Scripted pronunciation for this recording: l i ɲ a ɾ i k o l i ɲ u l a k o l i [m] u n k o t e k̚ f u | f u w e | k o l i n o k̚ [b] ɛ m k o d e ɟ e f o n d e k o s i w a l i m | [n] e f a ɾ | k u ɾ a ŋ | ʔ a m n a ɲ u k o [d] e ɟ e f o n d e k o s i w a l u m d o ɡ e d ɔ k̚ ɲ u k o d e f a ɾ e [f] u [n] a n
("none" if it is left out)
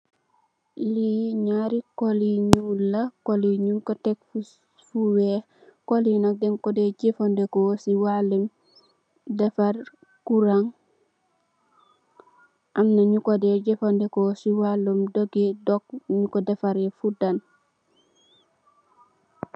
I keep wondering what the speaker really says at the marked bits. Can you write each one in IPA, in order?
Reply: ɲ, d, d, d, f, d

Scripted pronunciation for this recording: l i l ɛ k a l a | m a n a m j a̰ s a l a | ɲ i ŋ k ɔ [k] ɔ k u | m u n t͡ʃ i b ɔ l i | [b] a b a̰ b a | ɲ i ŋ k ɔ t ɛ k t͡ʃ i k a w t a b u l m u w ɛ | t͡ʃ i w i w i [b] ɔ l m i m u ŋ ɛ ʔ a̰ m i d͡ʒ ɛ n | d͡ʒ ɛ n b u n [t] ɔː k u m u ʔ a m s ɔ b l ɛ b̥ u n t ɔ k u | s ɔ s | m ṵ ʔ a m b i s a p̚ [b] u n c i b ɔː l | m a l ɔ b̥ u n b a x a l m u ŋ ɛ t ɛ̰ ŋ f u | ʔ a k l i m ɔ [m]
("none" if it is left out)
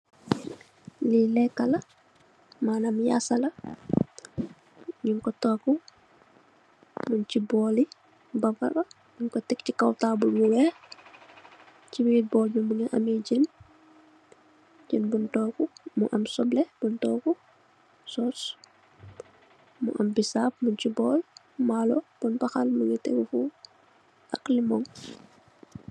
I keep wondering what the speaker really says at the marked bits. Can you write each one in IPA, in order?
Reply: t, b, b, t, m, ŋ

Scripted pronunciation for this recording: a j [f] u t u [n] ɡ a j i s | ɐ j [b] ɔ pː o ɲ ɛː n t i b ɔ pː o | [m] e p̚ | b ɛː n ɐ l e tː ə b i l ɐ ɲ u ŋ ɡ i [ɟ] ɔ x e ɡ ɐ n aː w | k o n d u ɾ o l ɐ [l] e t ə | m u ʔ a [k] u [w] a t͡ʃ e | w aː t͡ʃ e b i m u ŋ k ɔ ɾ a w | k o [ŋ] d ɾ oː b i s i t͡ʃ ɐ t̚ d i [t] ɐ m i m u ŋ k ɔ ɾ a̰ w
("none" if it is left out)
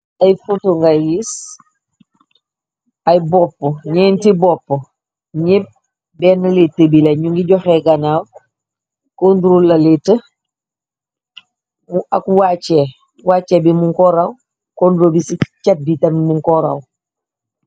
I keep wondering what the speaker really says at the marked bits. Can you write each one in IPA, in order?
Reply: f, ŋ, b, ɲ, ɟ, l, k, w, n, t

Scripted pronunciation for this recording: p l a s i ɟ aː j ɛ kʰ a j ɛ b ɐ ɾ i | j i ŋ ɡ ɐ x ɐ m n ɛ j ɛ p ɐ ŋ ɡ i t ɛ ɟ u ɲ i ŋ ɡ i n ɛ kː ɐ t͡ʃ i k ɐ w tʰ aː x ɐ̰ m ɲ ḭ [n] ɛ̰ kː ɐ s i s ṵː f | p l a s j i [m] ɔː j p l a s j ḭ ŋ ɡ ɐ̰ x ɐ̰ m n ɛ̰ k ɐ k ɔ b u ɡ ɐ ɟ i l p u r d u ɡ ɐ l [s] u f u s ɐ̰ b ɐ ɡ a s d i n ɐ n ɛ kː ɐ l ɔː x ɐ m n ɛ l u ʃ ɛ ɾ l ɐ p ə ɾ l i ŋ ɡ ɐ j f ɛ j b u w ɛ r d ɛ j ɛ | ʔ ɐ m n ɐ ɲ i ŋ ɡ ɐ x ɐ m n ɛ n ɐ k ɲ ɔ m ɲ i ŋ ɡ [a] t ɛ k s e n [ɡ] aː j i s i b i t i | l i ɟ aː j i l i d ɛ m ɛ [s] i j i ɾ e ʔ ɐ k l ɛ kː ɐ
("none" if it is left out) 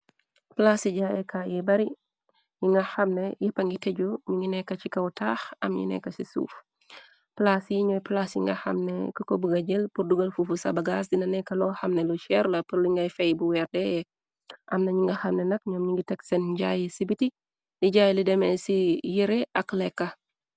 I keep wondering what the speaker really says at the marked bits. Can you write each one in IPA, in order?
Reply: n, ɲ, f, i, ɟ, s

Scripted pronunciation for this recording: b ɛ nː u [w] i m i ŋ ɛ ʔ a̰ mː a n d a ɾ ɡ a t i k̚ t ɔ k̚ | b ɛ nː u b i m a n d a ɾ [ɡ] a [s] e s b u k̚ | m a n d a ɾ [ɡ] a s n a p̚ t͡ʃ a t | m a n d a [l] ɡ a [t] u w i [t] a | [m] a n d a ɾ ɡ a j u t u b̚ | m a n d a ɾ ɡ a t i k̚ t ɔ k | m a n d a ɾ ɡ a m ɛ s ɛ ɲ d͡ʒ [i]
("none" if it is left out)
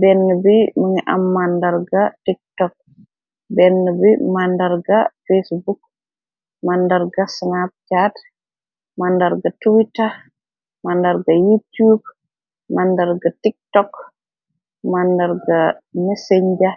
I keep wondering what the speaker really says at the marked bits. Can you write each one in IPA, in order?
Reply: b, ɡ, f, ɡ, ɾ, t, t, m, a

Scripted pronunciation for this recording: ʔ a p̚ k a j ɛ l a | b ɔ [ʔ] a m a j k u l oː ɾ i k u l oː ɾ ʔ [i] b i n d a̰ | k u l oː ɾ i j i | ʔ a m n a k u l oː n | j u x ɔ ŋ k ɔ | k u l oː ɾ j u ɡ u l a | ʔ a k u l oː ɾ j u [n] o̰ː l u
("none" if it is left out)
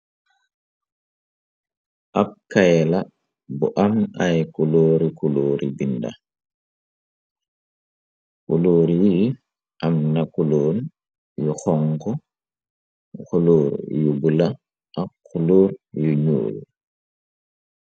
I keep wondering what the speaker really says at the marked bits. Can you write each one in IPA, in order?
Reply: ʔ, i, ɲ

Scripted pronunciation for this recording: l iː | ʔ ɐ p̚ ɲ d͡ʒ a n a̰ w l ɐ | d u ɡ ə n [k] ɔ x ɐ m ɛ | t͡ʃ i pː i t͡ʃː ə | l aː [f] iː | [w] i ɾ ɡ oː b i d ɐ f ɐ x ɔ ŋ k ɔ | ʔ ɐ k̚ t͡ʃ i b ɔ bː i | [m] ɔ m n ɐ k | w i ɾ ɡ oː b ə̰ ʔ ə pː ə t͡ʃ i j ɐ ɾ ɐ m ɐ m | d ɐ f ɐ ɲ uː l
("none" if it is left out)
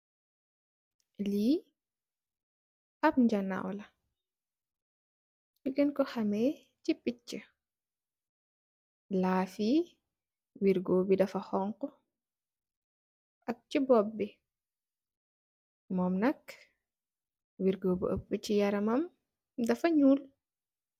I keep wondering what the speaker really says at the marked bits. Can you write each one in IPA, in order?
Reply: k, f, w, m

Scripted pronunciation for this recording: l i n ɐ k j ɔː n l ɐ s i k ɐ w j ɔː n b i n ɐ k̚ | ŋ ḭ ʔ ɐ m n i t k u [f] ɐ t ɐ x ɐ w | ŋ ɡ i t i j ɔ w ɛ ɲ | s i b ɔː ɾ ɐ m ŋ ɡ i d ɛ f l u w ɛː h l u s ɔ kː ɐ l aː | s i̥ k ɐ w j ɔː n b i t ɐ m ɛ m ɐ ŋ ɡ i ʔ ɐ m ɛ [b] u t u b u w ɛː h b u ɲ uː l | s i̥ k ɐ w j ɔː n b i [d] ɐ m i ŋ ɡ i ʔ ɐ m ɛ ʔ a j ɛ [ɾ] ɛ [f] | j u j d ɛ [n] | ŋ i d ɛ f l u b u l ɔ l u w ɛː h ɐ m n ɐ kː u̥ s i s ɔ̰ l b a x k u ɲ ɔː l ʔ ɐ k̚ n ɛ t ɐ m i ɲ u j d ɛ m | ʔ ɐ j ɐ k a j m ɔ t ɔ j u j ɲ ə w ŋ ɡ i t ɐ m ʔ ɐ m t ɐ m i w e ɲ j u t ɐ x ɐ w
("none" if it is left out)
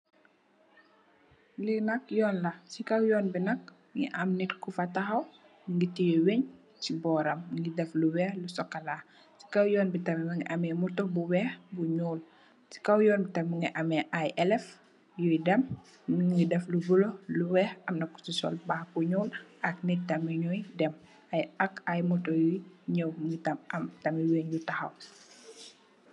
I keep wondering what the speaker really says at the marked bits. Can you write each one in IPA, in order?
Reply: f, m, t, l, f, m

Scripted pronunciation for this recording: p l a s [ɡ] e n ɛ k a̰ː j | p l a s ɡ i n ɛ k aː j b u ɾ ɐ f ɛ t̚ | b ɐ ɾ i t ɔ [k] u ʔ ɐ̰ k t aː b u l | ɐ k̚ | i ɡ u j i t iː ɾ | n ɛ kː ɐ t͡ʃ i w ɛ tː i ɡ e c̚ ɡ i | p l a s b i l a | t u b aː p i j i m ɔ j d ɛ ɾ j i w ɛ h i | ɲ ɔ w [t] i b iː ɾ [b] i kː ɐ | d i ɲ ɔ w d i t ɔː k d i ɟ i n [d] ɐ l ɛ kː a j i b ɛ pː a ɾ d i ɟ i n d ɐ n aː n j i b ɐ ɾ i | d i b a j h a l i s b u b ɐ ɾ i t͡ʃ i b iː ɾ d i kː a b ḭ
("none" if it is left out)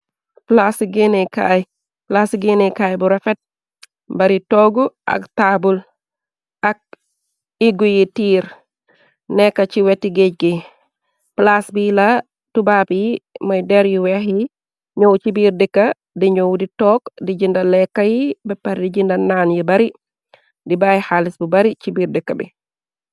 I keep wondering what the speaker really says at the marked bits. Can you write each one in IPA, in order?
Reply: ɡ, ɡ, t͡ʃ, d, d

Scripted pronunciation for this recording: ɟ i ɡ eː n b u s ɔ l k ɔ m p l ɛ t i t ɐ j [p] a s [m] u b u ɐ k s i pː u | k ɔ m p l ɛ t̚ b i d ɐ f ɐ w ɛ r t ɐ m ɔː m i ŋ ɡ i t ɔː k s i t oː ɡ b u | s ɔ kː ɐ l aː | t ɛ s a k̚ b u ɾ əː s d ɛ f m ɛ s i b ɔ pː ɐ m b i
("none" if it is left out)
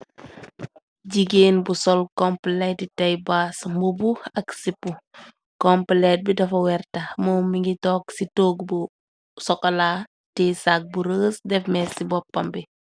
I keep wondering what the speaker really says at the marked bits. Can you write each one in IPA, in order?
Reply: b, m

